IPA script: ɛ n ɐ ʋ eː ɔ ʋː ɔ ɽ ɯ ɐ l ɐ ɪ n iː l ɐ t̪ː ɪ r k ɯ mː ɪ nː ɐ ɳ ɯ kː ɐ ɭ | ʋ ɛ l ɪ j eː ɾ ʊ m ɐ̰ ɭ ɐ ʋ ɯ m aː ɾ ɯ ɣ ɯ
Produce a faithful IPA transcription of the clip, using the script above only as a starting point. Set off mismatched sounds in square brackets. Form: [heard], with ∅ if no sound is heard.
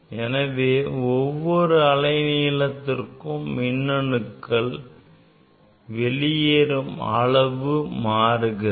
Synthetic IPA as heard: ɛ n ɐ ʋ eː ɔ ʋː ɔ [ɾ] ɯ ɐ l ɐ ɪ n iː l ɐ t̪ː ɪ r k ɯ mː ɪ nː ɐ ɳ ɯ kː ɐ ɭ | ʋ ɛ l ɪ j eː ɾ [ɯ] m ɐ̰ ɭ ɐ ʋ ɯ m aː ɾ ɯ ɣ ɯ